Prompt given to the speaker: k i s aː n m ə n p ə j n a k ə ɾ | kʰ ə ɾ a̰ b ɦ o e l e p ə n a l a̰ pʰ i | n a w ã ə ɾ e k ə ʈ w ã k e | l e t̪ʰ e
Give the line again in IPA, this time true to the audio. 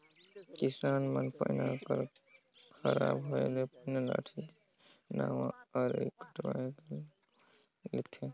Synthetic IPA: k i s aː n m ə n p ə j n a k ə ɾ | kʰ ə ɾ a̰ b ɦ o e l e p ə n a l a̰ ʈʰ i | n a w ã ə ɾ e k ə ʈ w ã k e | l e t̪ʰ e

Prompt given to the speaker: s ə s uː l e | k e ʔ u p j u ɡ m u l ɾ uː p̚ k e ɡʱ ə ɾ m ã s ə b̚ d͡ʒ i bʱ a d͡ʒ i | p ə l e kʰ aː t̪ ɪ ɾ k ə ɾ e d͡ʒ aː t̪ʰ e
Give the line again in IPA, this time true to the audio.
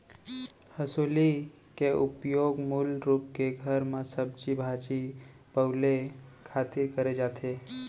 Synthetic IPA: h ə s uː l i | k e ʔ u p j o ɡ m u l ɾ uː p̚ k e ɡʱ ə ɾ m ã s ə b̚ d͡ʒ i bʱ a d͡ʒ i | p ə l e kʰ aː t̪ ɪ ɾ k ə ɾ e d͡ʒ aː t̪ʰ e

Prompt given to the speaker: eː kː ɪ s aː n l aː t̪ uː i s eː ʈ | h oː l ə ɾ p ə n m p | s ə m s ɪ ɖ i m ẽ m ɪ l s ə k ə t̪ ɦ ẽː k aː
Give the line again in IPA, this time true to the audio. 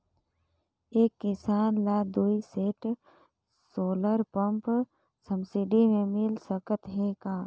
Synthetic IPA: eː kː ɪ s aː n l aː d̪ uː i s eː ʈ | s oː l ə ɾ p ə m p | s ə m s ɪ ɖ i m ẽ m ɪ l s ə k ə t̪ ɦ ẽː k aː

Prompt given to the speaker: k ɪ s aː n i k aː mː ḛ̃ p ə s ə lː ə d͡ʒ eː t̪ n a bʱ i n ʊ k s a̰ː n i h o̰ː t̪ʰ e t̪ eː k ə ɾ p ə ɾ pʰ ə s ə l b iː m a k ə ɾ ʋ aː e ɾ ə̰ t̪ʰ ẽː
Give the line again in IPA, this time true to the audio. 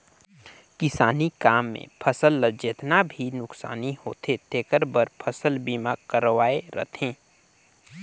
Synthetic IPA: k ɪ s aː n i k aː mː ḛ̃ pʰ ə s ə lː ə d͡ʒ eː t̪ n a bʱ i n ʊ k s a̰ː n i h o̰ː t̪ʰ e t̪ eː k ə ɾ b ə ɾ pʰ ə s ə l b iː m a k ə ɾ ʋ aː e ɾ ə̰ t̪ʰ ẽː

